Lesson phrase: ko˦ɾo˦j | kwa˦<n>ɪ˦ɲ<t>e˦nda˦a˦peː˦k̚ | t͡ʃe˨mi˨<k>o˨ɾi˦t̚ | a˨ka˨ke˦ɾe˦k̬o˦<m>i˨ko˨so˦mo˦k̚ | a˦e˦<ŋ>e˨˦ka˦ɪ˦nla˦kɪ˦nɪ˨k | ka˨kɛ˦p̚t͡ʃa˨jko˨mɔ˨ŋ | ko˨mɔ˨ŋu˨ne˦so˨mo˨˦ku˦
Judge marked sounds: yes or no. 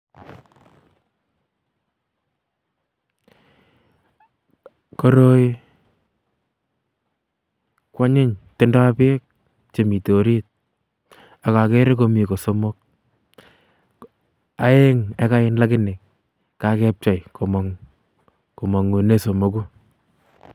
no, yes, no, yes, yes

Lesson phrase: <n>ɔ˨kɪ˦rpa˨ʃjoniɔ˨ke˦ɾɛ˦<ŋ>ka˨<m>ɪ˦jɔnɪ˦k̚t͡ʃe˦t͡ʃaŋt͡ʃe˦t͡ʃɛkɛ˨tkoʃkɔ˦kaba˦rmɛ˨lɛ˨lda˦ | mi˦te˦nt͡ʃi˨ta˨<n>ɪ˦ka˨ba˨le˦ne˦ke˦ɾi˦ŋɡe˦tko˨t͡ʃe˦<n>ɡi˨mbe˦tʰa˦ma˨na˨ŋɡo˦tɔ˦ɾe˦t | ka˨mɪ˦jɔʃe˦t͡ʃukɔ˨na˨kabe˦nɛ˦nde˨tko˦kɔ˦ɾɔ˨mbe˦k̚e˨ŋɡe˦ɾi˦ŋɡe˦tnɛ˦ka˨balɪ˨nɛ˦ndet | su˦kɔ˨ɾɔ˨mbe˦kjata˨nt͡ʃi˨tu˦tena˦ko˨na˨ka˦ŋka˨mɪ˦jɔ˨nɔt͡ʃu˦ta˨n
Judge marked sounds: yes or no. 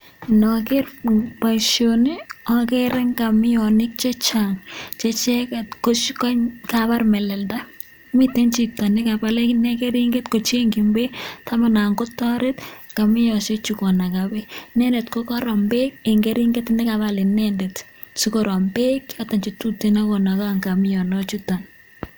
yes, yes, yes, yes, no

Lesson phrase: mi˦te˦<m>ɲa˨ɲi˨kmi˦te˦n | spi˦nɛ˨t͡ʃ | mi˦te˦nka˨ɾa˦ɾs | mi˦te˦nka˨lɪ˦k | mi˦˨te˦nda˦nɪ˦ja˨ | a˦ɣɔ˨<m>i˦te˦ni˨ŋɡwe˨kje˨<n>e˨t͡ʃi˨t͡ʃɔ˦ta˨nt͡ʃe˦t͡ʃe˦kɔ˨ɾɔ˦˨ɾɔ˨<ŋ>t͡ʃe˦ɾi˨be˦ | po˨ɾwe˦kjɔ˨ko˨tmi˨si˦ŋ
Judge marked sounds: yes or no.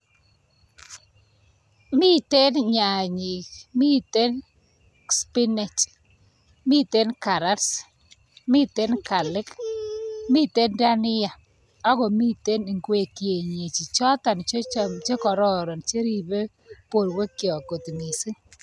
no, yes, no, no

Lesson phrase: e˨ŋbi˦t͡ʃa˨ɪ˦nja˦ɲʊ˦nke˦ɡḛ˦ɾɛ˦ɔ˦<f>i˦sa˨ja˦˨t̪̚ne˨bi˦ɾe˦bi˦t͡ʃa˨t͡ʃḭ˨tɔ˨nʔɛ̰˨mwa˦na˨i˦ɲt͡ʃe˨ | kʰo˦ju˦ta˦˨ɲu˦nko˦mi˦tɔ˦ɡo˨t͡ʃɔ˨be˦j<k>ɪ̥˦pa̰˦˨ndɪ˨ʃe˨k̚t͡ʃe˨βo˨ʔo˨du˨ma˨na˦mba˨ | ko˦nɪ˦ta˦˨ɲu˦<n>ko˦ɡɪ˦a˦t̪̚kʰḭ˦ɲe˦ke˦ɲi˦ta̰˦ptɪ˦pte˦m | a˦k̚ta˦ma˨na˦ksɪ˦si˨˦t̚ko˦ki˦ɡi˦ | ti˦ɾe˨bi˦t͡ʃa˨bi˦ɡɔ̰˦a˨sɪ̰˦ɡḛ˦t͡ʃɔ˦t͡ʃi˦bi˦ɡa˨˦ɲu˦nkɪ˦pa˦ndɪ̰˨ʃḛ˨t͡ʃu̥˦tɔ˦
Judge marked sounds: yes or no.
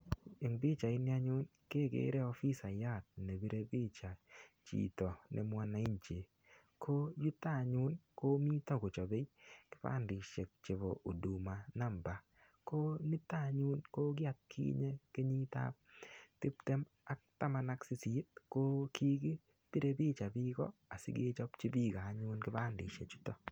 yes, yes, yes

